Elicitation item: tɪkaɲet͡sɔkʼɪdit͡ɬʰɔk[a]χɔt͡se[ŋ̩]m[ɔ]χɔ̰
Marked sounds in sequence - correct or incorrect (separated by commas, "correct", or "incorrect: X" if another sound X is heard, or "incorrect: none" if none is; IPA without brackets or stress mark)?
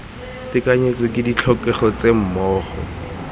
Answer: incorrect: ɛ, incorrect: m̩, incorrect: ɔː